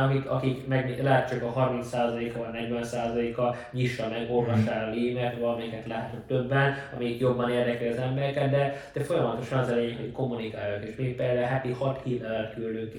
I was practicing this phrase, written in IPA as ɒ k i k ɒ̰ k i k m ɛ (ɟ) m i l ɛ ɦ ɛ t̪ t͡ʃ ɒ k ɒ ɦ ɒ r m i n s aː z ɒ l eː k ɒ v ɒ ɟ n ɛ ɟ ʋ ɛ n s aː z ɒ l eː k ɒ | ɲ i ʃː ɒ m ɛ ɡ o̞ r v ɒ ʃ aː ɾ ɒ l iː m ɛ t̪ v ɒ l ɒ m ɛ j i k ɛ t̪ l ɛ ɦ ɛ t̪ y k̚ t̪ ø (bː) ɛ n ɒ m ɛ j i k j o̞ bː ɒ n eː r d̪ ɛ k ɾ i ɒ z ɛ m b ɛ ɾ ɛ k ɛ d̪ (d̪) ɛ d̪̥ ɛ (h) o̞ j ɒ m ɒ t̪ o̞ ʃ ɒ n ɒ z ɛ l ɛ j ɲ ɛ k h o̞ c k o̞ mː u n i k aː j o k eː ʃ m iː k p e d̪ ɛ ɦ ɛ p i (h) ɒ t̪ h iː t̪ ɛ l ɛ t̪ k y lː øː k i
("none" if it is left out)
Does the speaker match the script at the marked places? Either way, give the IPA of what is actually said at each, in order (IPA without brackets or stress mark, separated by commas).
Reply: ɡ, bː, d̪, f, h